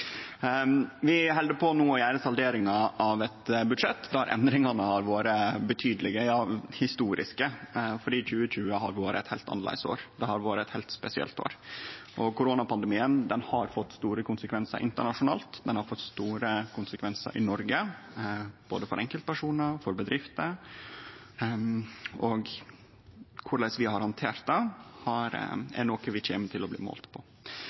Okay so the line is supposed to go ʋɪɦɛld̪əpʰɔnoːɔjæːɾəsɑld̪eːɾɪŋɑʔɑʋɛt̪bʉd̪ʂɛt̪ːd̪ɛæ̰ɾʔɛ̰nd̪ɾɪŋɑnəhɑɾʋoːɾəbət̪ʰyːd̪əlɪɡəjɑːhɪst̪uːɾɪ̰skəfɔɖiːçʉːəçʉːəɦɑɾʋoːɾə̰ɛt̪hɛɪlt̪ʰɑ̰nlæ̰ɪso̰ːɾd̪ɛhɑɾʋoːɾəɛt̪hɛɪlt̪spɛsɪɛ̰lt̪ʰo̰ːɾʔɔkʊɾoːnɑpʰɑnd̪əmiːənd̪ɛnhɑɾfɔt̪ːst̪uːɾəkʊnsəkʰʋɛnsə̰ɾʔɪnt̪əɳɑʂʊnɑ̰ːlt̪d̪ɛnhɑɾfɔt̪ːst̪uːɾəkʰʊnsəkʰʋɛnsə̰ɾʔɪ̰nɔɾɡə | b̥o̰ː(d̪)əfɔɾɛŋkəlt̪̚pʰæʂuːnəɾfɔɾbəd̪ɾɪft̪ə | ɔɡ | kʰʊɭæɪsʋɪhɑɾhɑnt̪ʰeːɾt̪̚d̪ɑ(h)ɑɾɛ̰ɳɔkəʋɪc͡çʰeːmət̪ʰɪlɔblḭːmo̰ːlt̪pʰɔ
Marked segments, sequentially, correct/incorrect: correct, correct

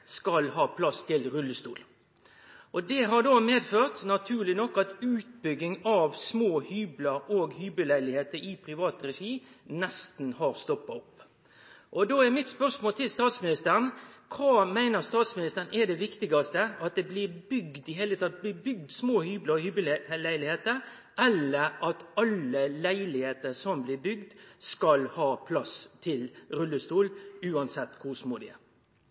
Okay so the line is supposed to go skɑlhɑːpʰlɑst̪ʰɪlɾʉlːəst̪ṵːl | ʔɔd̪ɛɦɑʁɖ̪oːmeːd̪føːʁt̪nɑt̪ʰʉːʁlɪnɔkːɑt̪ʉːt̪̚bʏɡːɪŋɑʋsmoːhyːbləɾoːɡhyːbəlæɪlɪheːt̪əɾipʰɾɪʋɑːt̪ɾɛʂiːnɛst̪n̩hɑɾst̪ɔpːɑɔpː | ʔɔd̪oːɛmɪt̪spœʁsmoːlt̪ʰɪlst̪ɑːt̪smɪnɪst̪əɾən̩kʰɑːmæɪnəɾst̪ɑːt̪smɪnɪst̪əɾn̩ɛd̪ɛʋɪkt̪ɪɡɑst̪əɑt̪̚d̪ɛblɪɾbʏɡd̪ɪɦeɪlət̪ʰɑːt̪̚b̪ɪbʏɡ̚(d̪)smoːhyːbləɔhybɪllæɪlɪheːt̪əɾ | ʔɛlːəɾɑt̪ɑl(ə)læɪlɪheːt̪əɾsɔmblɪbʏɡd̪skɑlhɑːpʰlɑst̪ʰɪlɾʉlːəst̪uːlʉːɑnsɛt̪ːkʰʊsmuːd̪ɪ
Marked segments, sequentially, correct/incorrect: correct, correct

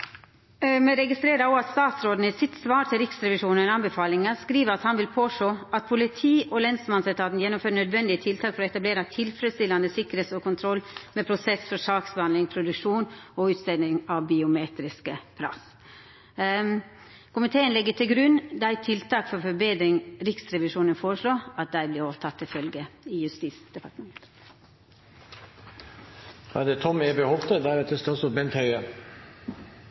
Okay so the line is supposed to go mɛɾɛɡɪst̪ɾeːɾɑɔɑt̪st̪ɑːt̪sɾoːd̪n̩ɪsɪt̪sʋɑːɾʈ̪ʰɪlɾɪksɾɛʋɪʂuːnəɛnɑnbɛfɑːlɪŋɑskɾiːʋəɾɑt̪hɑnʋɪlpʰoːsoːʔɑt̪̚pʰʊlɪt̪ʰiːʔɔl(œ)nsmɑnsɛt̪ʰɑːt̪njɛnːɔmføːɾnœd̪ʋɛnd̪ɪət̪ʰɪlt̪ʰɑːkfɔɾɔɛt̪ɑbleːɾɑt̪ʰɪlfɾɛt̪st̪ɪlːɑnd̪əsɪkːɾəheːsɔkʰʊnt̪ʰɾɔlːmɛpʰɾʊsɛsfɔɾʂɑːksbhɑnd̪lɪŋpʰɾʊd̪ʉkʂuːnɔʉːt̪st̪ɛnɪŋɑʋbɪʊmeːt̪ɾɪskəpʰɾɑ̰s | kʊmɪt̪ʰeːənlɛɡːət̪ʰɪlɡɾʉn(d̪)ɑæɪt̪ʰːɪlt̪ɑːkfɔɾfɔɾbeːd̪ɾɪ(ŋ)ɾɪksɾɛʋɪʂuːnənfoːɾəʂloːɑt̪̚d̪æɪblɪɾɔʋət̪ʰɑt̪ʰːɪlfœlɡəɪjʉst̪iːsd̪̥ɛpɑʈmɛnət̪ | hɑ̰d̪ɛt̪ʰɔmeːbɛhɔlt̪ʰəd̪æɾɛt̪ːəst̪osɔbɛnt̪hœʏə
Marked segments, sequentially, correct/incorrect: incorrect, correct, correct

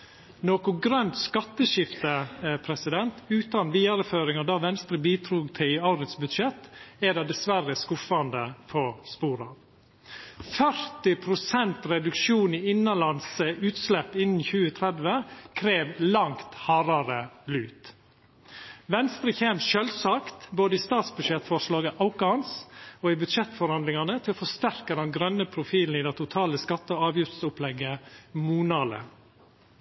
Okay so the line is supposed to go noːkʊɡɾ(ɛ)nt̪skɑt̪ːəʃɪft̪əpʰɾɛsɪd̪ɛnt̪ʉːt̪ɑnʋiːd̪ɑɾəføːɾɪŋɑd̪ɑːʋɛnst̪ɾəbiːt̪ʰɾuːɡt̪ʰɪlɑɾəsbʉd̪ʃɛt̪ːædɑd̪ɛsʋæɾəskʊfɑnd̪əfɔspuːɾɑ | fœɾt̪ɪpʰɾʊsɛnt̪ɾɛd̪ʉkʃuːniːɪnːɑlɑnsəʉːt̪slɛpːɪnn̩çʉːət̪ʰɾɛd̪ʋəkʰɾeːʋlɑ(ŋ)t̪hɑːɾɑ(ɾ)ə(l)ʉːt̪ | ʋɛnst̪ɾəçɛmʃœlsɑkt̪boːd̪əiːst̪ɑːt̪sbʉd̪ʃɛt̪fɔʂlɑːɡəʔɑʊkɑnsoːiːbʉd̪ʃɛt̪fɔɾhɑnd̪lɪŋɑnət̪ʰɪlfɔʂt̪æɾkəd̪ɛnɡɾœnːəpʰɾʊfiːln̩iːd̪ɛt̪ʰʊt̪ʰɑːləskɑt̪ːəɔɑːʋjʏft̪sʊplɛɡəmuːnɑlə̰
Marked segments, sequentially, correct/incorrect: incorrect, correct, correct, correct

